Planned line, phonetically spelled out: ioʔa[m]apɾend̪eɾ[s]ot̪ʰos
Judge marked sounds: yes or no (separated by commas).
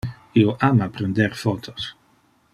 yes, no